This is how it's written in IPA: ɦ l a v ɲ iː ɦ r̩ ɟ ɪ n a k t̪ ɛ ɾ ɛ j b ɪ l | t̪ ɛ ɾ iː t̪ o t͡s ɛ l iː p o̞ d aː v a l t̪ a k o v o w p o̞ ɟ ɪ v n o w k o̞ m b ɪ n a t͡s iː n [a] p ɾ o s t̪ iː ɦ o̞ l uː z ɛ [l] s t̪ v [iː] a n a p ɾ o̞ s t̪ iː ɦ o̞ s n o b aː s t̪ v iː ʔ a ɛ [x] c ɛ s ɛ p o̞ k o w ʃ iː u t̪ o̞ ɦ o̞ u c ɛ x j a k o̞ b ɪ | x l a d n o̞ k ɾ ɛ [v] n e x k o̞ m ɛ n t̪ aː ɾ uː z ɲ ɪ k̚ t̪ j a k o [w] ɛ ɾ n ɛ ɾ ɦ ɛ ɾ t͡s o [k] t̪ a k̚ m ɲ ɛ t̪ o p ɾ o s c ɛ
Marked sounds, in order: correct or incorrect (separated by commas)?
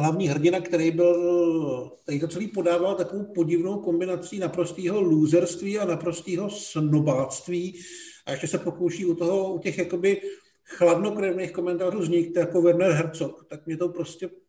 correct, incorrect, correct, incorrect, correct, incorrect, correct